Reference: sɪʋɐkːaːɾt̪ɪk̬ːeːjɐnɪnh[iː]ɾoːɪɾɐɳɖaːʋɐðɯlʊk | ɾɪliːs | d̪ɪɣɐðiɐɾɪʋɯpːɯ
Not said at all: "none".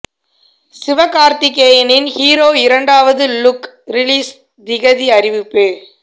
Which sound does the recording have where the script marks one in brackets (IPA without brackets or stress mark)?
iː